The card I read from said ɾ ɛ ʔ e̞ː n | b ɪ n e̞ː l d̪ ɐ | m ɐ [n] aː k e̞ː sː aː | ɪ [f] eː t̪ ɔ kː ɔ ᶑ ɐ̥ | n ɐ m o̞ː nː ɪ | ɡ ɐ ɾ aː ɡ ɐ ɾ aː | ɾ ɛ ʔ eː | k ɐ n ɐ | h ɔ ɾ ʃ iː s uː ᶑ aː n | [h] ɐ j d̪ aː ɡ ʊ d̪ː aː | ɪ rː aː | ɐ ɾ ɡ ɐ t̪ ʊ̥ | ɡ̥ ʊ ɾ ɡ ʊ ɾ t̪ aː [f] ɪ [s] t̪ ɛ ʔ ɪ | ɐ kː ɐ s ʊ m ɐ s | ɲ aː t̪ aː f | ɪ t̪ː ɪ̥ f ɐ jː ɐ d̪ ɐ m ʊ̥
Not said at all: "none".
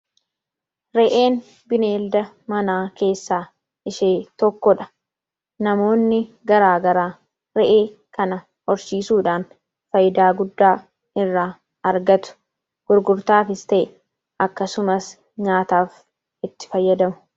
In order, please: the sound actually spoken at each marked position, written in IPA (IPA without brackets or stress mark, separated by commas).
n, ʃ, f, f, s